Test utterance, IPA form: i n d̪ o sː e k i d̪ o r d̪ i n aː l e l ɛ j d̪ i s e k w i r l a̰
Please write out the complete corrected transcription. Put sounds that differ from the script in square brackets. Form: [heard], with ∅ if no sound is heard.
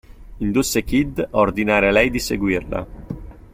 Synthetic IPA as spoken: i n d̪ [u] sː e k i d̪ o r d̪ i n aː [ɾ] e l ɛ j d̪ i s e [ɡ] w i r l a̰